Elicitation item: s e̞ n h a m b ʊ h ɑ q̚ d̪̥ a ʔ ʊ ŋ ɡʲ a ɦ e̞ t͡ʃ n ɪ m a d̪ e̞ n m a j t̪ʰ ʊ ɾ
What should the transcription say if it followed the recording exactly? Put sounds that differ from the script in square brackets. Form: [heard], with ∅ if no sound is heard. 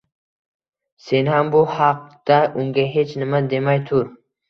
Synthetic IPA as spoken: s e̞ n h a m b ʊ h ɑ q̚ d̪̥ a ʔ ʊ ŋ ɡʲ a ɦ e̞ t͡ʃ n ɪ m a d̪ e̞ [∅] m a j t̪ʰ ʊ ɾ